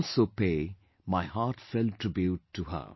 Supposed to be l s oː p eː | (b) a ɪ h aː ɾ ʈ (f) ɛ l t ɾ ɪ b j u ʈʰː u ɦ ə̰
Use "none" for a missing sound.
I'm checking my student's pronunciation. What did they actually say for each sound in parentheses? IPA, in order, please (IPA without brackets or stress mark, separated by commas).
m, f